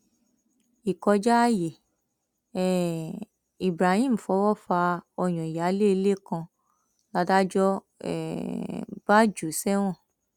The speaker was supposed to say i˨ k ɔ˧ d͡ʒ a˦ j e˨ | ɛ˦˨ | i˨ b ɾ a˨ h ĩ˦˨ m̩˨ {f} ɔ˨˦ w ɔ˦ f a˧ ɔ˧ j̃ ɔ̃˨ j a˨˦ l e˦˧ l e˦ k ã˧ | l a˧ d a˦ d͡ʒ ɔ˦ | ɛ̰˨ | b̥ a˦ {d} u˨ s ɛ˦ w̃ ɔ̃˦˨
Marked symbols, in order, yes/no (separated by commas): yes, no